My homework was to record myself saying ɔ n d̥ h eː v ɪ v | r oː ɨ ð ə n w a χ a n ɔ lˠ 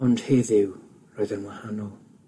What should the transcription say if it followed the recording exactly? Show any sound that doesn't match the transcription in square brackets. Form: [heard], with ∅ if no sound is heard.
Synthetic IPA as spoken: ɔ n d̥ h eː [ð] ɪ [w] | r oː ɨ ð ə n w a [h] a n ɔ lˠ